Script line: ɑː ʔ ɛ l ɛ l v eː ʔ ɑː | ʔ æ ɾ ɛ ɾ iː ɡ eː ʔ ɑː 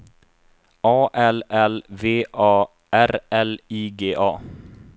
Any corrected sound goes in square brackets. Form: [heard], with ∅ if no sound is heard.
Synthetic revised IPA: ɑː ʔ ɛ l ɛ l v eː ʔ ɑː | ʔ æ ɾ ɛ [l] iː ɡ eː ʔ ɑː